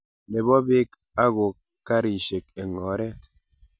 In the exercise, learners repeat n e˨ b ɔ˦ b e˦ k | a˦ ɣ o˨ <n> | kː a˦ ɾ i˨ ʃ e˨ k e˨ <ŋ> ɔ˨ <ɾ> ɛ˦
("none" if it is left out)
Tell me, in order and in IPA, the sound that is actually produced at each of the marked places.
none, ŋ, ɾ

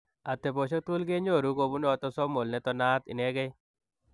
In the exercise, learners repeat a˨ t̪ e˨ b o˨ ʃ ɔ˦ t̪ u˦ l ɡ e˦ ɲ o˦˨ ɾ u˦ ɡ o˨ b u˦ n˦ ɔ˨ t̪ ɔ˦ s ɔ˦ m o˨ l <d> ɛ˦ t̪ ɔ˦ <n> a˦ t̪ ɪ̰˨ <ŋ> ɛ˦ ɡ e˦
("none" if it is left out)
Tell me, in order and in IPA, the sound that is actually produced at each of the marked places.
n, n, n

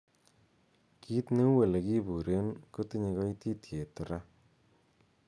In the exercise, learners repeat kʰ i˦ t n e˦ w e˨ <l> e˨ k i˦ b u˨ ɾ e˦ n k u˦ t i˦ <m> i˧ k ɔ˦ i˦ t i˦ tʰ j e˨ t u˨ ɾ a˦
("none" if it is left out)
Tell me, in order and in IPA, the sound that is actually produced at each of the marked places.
l, ɲ

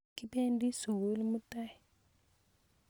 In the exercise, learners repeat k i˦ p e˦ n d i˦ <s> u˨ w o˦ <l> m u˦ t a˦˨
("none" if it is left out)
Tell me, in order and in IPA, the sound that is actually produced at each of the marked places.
s, l

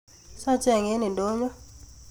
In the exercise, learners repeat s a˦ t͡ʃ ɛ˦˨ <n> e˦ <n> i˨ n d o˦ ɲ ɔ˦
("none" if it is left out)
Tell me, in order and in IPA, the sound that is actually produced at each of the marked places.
ŋ, n

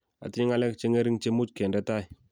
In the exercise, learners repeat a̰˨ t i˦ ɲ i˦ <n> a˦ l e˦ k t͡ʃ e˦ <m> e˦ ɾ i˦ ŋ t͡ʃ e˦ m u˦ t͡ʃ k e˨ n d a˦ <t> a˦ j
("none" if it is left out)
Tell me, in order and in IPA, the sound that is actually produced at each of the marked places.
ŋ, ŋ, t

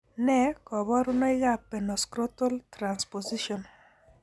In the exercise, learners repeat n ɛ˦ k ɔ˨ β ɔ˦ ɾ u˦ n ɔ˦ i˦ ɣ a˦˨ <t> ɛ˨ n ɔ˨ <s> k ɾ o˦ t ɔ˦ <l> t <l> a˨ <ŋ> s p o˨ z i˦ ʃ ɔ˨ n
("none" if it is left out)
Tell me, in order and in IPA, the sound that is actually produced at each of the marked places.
p, s, l, ɾ, n

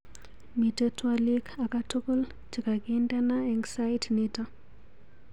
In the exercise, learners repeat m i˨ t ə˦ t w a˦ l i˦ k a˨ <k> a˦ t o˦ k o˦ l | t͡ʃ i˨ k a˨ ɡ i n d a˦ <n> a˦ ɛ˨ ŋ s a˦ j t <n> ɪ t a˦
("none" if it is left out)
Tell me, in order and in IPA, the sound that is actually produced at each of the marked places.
k, n, n

